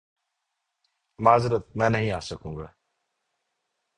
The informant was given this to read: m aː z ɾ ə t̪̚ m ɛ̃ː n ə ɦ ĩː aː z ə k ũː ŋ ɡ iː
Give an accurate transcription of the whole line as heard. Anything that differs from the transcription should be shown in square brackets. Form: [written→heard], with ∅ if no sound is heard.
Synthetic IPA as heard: m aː z ɾ ə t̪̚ m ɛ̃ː n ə ɦ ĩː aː [z→s] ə k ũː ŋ ɡ [iː→aː]

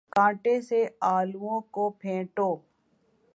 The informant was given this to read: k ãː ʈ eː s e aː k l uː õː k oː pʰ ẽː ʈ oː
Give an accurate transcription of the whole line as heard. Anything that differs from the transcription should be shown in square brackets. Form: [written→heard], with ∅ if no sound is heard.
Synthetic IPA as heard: k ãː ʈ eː s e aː [k→∅] l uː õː k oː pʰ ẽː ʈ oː

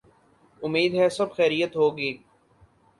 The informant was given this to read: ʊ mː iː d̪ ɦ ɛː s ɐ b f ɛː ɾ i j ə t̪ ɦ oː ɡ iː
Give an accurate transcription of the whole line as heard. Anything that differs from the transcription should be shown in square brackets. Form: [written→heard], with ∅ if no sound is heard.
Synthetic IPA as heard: ʊ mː iː d̪ ɦ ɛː s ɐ b [f→x] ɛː ɾ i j ə t̪ ɦ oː ɡ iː

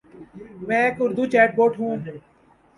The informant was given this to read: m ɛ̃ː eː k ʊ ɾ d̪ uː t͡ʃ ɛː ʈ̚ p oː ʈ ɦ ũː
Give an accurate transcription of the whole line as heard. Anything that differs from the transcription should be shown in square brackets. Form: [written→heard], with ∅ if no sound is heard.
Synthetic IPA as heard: m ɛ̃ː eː k ʊ ɾ d̪ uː t͡ʃ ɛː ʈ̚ [p→b] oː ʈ ɦ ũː

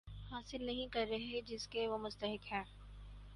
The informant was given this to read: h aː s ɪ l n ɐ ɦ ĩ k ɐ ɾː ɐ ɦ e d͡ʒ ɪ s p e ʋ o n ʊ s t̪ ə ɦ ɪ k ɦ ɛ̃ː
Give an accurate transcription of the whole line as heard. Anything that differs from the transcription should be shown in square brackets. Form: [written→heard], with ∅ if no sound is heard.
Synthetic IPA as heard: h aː s ɪ l n ɐ ɦ ĩ k ɐ ɾː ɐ ɦ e d͡ʒ ɪ s [p→k] e ʋ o [n→m] ʊ s t̪ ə ɦ ɪ k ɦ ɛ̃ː

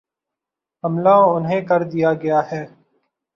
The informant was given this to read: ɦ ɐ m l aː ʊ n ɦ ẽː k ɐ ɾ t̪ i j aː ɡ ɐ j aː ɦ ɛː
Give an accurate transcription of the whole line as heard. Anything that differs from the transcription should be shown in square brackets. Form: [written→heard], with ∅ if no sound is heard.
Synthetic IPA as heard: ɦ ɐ m l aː ʊ n ɦ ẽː k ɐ ɾ [t̪→d̪] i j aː ɡ ɐ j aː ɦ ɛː

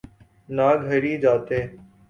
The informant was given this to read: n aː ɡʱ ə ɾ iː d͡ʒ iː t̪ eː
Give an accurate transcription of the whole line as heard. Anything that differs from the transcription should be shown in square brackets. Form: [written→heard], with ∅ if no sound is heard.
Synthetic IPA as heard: n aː ɡʱ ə ɾ iː d͡ʒ [iː→aː] t̪ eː

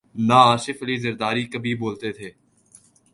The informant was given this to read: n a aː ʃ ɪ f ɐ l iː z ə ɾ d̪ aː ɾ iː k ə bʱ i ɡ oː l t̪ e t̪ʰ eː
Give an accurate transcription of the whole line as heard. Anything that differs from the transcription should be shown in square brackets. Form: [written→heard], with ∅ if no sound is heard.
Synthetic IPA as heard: n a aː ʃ ɪ f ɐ l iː z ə ɾ d̪ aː ɾ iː k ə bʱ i [ɡ→b] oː l t̪ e t̪ʰ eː

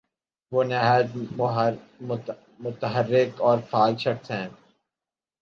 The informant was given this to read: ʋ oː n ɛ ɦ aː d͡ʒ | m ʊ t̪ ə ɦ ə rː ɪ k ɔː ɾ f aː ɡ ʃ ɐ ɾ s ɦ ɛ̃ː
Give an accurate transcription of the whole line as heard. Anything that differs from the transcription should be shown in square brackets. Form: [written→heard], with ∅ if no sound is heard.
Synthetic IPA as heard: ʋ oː n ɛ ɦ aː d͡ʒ | m ʊ t̪ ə ɦ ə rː ɪ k ɔː ɾ f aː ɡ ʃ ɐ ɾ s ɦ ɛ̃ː

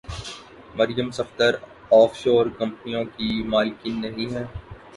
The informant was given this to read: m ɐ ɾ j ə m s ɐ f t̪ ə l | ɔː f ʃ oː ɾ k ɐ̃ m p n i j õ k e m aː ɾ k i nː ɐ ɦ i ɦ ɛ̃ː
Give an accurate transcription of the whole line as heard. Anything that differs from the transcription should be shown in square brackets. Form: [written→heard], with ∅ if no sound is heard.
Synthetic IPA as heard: m ɐ ɾ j ə m s ɐ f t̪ ə [l→ɾ] | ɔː f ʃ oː ɾ k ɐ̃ m p n i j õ k [e→i] m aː [ɾ→l] k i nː ɐ ɦ [i→ĩ] ɦ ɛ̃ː

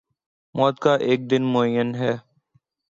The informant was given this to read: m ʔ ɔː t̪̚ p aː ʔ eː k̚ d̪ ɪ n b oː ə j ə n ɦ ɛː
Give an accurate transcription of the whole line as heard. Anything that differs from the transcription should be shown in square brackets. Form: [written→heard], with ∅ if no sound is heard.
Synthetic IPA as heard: m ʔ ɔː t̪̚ [p→k] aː ʔ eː k̚ d̪ ɪ n [b→m] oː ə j ə n ɦ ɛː

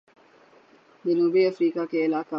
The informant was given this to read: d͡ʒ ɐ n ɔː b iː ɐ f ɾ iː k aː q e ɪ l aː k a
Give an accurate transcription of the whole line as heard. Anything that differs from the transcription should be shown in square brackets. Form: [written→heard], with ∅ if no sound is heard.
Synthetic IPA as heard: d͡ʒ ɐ n [ɔː→uː] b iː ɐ f ɾ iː k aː [q→k] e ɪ l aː k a

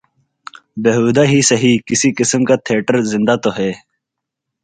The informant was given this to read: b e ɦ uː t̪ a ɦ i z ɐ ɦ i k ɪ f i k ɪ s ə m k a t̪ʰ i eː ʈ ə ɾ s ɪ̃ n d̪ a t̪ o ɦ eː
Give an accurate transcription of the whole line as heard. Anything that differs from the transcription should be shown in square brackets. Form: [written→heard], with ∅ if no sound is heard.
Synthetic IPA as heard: b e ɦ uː [t̪→d̪] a ɦ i [z→s] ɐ ɦ i k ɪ [f→s] i k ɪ s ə m k a t̪ʰ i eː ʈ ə ɾ [s→z] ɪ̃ n d̪ a t̪ o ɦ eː

